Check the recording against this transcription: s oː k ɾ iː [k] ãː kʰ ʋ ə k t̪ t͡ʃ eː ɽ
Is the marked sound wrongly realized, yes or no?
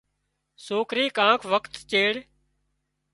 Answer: no